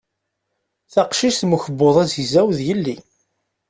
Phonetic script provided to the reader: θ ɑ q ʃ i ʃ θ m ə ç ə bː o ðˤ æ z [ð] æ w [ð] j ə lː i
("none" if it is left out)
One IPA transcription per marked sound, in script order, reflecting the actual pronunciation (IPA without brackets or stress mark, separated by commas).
z, ð